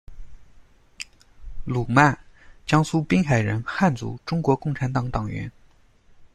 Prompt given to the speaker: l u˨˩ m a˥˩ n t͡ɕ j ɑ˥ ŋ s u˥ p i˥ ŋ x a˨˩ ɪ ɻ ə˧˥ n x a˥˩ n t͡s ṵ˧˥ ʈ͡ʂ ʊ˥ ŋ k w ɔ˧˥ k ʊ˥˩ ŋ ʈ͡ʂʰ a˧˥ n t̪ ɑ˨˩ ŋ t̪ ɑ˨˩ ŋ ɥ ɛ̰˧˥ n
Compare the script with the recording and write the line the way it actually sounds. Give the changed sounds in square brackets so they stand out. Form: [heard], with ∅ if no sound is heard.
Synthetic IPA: l u˨˩ m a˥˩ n t͡ɕ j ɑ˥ ŋ s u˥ p i˥ ŋ x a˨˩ ɪ ɻ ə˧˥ n x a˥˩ n t͡s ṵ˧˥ ʈ͡ʂ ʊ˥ ŋ k w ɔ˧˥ k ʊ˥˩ ŋ ʈ͡ʂʰ a˧˥ n t̪ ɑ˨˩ ŋ t̪ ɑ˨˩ ŋ ɥ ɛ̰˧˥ n

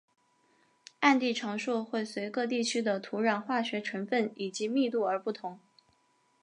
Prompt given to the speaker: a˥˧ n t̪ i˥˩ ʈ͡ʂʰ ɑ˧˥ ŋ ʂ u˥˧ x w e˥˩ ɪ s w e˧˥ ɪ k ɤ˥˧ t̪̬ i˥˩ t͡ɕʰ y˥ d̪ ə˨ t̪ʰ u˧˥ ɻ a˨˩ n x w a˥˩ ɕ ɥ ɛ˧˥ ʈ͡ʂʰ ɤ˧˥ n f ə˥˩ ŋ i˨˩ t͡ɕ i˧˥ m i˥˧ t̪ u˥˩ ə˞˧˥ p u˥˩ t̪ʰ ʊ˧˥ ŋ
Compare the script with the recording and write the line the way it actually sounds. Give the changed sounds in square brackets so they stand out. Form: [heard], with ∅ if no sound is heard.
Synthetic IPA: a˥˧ n t̪ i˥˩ ʈ͡ʂʰ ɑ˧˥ ŋ ʂ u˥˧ x w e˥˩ ɪ s w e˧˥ ɪ k ɤ˥˧ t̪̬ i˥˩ t͡ɕʰ y˥ d̪ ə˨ t̪ʰ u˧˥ ɻ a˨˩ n x w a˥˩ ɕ ɥ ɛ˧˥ ʈ͡ʂʰ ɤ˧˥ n f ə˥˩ [n] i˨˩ t͡ɕ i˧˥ m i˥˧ t̪ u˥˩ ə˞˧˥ p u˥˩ t̪ʰ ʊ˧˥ ŋ

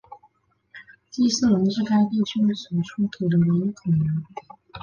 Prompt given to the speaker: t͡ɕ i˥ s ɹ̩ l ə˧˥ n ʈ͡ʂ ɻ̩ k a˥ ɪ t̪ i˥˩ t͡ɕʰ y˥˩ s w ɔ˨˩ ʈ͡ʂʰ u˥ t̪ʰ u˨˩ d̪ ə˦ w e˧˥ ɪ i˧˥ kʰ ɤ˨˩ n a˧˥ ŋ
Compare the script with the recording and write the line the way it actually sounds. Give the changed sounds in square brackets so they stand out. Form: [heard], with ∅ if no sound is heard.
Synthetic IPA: t͡ɕ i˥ s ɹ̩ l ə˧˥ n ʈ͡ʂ ɻ̩ k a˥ ɪ t̪ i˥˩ t͡ɕʰ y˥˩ s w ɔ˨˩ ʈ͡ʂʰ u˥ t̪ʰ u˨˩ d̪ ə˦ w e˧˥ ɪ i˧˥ kʰ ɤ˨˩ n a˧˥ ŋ

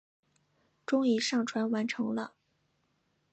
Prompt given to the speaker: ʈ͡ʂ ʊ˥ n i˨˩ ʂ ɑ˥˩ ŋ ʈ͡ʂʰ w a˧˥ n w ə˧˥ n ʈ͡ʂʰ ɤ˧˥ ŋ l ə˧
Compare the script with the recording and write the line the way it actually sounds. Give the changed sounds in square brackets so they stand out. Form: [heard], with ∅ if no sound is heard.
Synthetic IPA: ʈ͡ʂ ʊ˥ [ŋ] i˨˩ ʂ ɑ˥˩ ŋ ʈ͡ʂʰ w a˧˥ n w [a˧˥] n ʈ͡ʂʰ ɤ˧˥ ŋ l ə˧

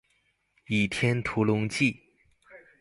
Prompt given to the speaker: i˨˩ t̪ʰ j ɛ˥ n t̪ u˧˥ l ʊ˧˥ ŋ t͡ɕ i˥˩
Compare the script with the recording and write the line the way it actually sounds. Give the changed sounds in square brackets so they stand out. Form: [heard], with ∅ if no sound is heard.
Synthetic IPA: i˨˩ t̪ʰ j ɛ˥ n [t̪ʰ] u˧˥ l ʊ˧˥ ŋ t͡ɕ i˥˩

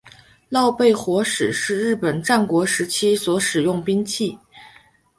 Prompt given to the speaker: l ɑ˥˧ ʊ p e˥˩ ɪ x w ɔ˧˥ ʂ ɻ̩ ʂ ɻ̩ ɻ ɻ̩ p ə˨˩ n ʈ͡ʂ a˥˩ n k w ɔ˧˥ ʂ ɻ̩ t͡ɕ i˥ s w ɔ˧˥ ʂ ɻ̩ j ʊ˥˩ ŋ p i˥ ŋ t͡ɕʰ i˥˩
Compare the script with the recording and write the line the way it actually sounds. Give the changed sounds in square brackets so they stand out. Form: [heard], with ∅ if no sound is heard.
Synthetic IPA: l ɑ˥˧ ʊ p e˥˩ ɪ x w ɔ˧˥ ʂ ɻ̩ ʂ ɻ̩ ɻ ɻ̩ p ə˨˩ n ʈ͡ʂ a˥˩ n k w ɔ˧˥ ʂ ɻ̩ [t͡ɕʰ] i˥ s w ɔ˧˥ ʂ ɻ̩ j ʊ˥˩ ŋ p i˥ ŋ t͡ɕʰ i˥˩

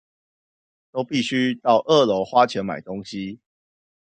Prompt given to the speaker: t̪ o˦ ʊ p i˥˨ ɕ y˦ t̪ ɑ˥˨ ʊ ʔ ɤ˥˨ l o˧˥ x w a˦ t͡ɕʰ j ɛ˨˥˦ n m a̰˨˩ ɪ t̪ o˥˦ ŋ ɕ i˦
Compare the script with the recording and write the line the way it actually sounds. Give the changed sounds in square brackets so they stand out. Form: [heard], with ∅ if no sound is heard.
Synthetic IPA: t̪ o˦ ʊ p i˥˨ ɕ y˦ t̪ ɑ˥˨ ʊ ʔ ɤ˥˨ l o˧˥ x w a˦ t͡ɕʰ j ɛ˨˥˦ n m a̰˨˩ ɪ t̪ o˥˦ ŋ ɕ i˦

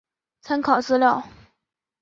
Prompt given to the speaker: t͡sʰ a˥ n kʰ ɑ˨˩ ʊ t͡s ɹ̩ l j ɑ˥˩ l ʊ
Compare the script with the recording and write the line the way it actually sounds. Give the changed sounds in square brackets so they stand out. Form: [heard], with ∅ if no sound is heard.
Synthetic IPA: t͡sʰ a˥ n kʰ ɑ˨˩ ʊ t͡s ɹ̩ l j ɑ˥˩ [∅] ʊ

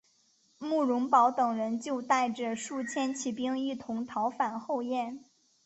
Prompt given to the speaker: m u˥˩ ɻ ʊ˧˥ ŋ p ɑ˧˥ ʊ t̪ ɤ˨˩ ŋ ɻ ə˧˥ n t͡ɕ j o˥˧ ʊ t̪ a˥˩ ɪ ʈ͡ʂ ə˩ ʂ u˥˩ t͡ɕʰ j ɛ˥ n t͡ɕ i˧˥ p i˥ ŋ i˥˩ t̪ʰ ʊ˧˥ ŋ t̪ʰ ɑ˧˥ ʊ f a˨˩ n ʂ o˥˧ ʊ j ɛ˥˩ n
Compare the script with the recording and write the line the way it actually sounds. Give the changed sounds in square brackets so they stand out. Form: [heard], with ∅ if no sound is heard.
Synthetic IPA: m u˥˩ ɻ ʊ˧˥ ŋ p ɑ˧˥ ʊ t̪ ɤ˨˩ ŋ ɻ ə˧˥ n t͡ɕ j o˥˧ ʊ t̪ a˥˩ ɪ ʈ͡ʂ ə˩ ʂ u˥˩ t͡ɕʰ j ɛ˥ n [t͡ɕʰ] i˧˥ p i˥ ŋ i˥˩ t̪ʰ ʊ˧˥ ŋ t̪ʰ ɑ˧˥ ʊ f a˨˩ n [x] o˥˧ ʊ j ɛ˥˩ n

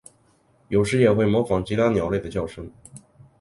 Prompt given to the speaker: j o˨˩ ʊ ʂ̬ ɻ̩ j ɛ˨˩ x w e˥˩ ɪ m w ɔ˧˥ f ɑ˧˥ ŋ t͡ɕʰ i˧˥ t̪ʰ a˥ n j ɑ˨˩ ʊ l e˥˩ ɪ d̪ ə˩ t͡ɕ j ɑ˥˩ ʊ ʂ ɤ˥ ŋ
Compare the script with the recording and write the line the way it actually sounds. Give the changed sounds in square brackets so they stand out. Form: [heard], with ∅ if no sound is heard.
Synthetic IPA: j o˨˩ ʊ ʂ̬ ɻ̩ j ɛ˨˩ x w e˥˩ ɪ m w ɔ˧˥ f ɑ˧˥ ŋ [t͡ɕ] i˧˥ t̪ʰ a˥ n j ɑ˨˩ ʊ l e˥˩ ɪ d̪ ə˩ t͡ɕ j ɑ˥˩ ʊ ʂ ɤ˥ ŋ

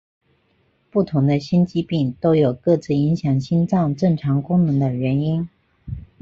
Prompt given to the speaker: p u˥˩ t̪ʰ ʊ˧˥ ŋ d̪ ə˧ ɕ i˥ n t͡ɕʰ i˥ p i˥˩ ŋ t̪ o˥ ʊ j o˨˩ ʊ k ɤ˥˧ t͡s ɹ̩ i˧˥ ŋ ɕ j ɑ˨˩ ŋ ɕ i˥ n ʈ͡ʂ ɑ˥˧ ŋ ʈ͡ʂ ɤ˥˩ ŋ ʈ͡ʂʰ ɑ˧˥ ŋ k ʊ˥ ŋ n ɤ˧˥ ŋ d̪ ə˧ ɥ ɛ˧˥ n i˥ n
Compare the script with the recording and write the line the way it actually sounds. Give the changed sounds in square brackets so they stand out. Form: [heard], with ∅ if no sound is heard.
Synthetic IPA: p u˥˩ t̪ʰ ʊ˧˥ ŋ d̪ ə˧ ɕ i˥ n [t͡ɕ] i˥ p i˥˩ ŋ t̪ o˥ ʊ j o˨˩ ʊ k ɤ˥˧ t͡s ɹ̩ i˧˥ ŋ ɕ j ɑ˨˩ ŋ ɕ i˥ n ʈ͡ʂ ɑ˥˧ ŋ ʈ͡ʂ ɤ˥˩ ŋ ʈ͡ʂʰ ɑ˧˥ ŋ k ʊ˥ ŋ n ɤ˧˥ ŋ d̪ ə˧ ɥ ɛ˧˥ n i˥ n

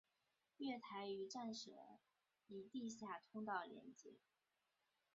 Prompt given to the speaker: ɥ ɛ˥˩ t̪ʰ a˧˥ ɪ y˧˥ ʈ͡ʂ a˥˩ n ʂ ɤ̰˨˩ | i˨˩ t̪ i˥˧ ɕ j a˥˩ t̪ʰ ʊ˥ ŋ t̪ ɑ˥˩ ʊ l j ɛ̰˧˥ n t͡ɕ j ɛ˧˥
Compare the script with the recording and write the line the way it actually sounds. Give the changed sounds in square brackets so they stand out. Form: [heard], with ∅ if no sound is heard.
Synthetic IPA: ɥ ɛ˥˩ t̪ʰ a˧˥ ɪ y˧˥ ʈ͡ʂ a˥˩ n ʂ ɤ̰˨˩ | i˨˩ t̪ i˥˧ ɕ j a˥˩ t̪ʰ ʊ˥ ŋ t̪ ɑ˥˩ ʊ l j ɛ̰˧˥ n t͡ɕ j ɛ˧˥

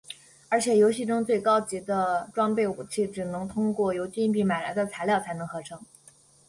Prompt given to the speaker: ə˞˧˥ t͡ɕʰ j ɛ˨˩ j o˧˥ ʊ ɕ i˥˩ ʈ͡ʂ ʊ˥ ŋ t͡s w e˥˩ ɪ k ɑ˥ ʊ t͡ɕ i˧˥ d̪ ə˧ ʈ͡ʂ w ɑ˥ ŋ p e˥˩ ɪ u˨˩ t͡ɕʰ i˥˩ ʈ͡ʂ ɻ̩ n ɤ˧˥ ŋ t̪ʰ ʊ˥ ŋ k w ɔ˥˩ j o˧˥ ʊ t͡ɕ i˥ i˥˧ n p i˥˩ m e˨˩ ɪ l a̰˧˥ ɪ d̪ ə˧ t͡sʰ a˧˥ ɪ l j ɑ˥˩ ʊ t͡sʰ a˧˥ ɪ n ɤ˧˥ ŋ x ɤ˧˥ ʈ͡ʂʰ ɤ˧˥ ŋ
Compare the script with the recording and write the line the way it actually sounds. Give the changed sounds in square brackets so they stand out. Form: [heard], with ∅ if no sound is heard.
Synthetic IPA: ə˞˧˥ t͡ɕʰ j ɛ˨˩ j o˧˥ ʊ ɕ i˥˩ ʈ͡ʂ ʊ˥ ŋ t͡s w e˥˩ ɪ k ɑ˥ ʊ t͡ɕ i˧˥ d̪ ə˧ ʈ͡ʂ w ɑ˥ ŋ p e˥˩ ɪ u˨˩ t͡ɕʰ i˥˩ ʈ͡ʂ ɻ̩ n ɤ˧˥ ŋ t̪ʰ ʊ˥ ŋ k w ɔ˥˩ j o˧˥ ʊ t͡ɕ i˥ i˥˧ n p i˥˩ m [a˨˩] ɪ l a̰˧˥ ɪ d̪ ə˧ t͡sʰ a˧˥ ɪ l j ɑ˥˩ ʊ t͡sʰ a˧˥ ɪ n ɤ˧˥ ŋ x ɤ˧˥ ʈ͡ʂʰ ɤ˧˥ ŋ

